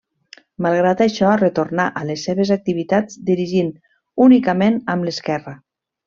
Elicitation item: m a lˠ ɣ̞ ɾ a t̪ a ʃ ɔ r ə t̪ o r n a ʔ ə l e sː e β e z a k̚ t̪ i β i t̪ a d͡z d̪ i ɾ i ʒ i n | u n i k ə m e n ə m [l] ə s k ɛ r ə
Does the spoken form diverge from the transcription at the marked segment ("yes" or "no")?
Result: no